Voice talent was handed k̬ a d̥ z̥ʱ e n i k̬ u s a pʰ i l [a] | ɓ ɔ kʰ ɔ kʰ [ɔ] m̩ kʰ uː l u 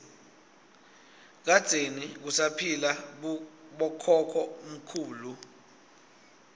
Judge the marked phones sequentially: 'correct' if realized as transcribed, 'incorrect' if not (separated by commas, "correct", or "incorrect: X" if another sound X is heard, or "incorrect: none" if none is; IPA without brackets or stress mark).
correct, correct